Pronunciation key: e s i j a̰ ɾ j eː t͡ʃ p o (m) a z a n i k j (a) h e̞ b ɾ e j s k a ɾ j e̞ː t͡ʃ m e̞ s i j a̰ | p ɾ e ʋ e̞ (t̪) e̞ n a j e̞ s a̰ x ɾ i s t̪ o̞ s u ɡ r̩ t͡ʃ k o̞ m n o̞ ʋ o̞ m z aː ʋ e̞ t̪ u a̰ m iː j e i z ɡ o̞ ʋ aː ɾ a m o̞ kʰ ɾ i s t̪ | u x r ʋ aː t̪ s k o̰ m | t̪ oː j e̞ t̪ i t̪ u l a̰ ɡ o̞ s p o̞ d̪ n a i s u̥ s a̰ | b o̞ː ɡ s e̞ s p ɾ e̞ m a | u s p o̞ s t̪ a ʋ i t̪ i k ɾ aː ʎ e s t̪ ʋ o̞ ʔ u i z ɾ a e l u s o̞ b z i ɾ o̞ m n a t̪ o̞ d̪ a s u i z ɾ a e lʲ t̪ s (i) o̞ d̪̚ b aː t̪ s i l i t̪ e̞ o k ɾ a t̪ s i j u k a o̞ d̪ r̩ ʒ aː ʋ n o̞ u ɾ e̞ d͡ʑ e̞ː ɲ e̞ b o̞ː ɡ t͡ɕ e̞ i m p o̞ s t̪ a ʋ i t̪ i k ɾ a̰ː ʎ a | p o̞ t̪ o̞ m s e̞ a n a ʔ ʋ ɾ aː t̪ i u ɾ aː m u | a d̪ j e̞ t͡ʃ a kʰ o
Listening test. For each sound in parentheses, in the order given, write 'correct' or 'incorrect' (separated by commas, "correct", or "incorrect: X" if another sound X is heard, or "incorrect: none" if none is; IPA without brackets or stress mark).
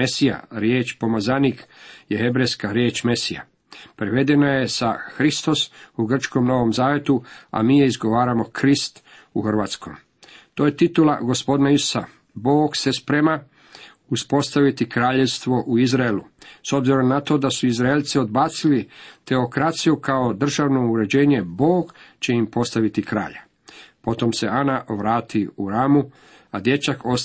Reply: correct, incorrect: e, incorrect: d̪, correct